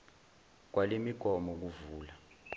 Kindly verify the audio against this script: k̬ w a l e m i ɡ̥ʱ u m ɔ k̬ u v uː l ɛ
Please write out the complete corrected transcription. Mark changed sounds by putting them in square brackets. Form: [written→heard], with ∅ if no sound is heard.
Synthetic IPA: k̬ w a l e m i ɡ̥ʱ [u→ɔ] m ɔ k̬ u v uː l [ɛ→a]